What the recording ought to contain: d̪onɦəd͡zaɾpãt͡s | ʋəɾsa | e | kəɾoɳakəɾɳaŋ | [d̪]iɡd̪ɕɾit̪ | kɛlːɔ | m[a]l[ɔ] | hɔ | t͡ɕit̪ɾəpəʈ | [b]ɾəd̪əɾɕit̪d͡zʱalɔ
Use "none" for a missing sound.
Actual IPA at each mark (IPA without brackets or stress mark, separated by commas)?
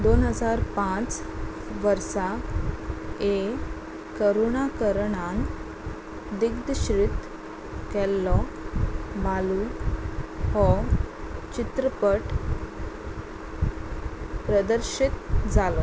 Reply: d̪, a, u, p